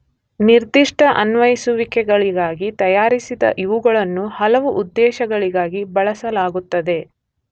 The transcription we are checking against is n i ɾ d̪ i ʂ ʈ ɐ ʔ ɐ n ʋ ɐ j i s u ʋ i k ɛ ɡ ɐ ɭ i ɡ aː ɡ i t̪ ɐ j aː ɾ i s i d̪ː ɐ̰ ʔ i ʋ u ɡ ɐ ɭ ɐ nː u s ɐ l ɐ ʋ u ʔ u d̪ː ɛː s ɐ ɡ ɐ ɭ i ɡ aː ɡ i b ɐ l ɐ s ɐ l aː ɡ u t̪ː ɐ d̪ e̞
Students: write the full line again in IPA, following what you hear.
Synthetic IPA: n i ɾ d̪ i ʂ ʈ ɐ ʔ ɐ n ʋ ɐ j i s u ʋ i k ɛ ɡ ɐ ɭ i ɡ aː ɡ i t̪ ɐ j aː ɾ i s i d̪ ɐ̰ ʔ i ʋ u ɡ ɐ ɭ ɐ nː u h ɐ l ɐ ʋ u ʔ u d̪ː ɛː ʃ ɐ ɡ ɐ ɭ i ɡ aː ɡ i b ɐ ɭ ɐ s ɐ l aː ɡ u t̪ː ɐ d̪ e̞